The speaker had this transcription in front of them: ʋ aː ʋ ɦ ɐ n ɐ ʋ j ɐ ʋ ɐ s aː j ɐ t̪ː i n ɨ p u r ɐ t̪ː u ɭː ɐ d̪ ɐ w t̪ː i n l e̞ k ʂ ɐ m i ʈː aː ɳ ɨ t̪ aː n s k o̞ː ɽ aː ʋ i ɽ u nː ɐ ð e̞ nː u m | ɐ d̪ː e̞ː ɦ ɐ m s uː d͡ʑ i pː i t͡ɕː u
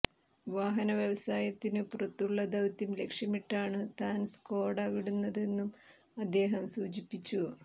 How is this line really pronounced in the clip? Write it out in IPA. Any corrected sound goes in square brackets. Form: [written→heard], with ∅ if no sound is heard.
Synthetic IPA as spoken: ʋ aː [ʋ→∅] ɦ ɐ n ɐ ʋ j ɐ ʋ ɐ s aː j ɐ t̪ː i n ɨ p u r ɐ t̪ː u ɭː ɐ d̪ ɐ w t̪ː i [n→m] l e̞ k ʂ ɐ m i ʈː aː ɳ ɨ t̪ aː n s k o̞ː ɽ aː ʋ i ɽ u nː ɐ ð e̞ nː u m | ɐ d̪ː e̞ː ɦ ɐ m s uː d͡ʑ i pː i t͡ɕː u